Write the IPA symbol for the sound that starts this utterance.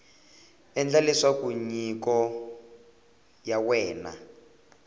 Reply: ɛ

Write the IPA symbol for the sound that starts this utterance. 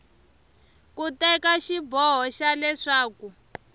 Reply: k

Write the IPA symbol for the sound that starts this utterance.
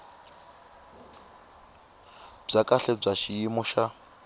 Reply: b͡ʐ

